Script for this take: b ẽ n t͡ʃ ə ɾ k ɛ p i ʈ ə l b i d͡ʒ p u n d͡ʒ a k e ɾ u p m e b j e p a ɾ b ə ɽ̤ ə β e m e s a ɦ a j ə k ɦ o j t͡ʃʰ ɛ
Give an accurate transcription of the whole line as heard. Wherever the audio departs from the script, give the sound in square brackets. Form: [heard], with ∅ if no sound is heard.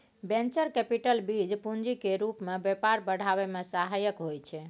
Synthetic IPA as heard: b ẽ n t͡ʃ ə ɾ k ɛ p i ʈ ə l b i d͡ʒ p u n d͡ʒ [i] k e ɾ u p m e b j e p a ɾ b ə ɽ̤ [a] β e m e s a ɦ a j ə k ɦ o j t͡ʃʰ ɛ